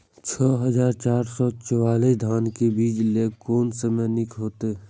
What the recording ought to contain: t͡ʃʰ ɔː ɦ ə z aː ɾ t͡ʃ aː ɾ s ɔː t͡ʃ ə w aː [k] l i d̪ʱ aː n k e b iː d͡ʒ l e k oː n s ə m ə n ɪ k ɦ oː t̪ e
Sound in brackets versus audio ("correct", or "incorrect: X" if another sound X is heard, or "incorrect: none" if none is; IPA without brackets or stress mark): incorrect: none